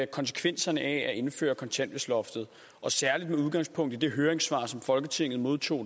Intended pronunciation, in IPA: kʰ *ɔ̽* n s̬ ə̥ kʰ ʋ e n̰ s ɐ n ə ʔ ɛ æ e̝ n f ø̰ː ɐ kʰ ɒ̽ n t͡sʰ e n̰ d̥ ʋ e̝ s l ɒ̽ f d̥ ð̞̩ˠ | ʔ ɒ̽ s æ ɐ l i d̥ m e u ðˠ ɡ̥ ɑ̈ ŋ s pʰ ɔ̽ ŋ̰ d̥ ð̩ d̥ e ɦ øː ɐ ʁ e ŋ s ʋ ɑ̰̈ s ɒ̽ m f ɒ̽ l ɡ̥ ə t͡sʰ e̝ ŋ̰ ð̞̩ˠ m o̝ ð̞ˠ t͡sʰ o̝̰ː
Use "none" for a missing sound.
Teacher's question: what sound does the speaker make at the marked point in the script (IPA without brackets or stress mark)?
ɒ̽